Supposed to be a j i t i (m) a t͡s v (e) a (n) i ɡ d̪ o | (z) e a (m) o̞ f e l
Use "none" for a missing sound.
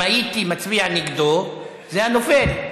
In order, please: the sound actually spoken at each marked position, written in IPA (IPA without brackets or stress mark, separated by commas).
m, i, n, z, n